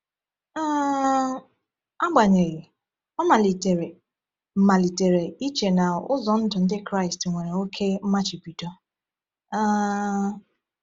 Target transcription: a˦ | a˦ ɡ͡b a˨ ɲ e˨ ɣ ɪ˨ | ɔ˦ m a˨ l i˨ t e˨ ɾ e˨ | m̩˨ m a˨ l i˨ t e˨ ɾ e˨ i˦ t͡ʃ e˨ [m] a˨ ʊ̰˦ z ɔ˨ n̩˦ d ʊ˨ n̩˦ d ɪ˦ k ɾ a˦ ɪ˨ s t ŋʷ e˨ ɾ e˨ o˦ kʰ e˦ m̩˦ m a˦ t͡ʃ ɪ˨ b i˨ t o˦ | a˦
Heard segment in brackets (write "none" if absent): n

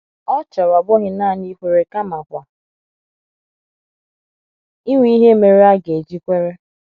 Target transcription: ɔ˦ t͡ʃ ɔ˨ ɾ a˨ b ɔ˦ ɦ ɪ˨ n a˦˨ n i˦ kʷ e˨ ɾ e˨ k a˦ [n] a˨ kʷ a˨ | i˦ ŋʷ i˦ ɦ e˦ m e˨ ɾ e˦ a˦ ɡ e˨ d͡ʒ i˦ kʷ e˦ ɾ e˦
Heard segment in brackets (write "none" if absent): m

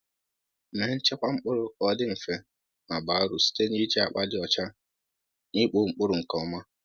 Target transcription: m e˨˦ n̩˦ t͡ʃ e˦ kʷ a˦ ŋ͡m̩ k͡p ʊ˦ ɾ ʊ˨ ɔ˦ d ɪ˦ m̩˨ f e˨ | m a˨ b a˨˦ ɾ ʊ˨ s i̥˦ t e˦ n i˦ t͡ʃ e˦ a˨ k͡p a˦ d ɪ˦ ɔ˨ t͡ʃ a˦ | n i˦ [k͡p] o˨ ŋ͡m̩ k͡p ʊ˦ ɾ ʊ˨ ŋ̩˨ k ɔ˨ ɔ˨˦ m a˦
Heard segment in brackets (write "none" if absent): k͡p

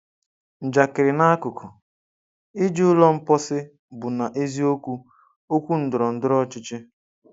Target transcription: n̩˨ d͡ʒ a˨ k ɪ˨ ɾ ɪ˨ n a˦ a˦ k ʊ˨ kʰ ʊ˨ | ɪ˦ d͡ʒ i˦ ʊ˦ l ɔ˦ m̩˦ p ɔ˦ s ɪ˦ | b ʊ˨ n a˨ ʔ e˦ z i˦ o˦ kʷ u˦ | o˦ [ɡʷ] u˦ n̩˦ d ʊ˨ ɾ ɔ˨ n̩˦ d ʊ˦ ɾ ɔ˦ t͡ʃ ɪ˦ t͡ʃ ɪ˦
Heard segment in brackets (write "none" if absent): kʷ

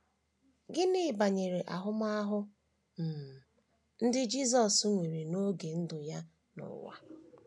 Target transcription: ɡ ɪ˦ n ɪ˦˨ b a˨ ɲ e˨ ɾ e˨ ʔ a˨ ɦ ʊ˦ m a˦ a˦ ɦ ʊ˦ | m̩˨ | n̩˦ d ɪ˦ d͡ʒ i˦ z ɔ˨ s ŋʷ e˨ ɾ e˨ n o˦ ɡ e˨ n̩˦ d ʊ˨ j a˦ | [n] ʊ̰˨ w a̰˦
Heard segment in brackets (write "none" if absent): n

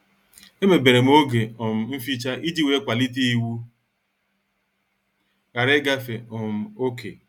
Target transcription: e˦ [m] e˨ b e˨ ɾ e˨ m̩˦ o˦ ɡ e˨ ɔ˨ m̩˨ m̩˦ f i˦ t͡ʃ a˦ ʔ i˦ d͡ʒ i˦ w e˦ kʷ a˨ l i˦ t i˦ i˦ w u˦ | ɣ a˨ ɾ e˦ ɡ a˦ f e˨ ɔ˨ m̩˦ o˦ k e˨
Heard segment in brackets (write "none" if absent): m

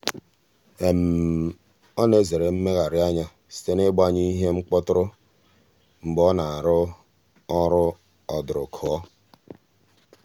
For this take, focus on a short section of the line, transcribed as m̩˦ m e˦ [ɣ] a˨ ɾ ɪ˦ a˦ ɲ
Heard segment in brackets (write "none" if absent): ɣ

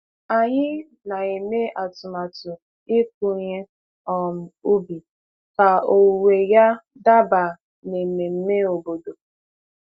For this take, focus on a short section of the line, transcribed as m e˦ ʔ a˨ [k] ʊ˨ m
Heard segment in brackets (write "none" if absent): t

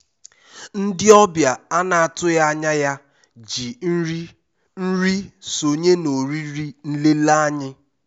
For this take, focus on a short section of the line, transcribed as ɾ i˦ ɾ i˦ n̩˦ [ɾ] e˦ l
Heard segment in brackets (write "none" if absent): l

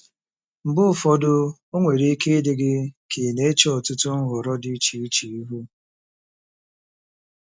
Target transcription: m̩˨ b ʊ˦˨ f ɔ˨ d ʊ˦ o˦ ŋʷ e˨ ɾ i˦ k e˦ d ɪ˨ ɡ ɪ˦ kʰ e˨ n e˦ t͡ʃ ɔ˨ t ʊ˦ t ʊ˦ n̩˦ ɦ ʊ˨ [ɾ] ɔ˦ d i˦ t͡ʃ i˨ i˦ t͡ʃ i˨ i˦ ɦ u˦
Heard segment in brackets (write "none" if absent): ɾ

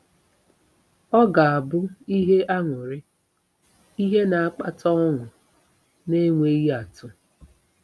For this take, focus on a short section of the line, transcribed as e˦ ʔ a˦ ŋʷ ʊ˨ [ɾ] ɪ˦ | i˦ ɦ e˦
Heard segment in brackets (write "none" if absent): ɾ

